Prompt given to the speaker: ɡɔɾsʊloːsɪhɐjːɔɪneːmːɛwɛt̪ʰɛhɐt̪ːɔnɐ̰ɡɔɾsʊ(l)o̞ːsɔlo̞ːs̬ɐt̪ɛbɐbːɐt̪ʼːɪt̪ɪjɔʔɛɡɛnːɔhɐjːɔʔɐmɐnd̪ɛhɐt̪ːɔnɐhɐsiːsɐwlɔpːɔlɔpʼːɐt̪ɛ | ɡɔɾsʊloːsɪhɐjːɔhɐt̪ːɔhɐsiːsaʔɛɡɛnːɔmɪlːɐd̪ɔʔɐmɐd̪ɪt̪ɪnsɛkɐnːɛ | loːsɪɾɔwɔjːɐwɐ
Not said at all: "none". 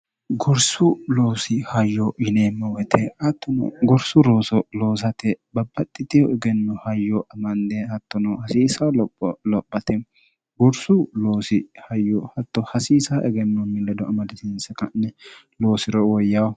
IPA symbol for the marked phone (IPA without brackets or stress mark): ɾ